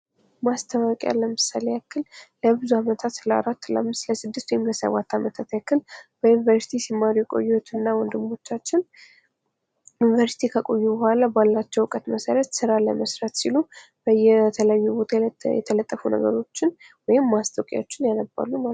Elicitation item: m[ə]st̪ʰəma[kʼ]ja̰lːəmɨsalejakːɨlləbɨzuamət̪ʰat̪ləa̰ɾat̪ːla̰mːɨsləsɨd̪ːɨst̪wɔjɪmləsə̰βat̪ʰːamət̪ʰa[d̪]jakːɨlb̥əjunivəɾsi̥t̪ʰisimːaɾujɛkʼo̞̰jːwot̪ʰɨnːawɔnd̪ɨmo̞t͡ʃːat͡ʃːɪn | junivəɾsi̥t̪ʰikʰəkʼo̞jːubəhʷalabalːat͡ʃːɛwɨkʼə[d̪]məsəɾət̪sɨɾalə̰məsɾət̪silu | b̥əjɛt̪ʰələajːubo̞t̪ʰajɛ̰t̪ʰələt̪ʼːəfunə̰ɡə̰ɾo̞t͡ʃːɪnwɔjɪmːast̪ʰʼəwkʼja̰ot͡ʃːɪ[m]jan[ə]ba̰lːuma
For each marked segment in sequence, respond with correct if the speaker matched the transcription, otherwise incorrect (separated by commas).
incorrect, correct, incorrect, incorrect, incorrect, correct